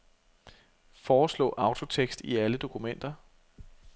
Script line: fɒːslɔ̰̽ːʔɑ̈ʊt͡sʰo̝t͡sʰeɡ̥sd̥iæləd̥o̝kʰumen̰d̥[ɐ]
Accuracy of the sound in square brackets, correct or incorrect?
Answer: correct